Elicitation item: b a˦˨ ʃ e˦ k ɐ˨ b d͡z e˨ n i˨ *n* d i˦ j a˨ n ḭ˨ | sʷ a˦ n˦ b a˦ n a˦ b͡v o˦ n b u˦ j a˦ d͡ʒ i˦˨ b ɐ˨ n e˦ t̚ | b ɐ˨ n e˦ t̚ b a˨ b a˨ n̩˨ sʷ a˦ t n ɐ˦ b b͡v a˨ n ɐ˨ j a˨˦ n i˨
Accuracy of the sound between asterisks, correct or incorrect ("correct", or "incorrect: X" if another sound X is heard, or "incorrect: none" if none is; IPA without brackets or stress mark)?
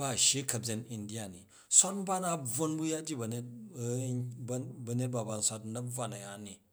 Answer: correct